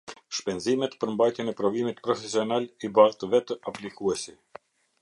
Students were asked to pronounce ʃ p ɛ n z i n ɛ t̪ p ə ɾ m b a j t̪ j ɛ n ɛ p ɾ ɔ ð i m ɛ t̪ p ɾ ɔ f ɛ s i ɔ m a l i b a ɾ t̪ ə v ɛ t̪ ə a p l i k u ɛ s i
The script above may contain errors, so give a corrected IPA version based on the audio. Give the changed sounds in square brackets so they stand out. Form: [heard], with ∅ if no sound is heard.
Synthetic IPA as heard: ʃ p ɛ n z i [m] ɛ t̪ p ə ɾ m b a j t̪ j ɛ n ɛ p ɾ ɔ [v] i m [i] t̪ p ɾ ɔ f ɛ s i ɔ [n] a l i b a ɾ t̪ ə v ɛ t̪ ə a p l i k u ɛ s i